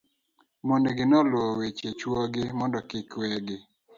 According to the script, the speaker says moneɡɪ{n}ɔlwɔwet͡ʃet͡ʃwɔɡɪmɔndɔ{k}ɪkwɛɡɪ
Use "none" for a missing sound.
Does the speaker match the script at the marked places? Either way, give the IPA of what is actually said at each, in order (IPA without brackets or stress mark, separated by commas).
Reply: n, k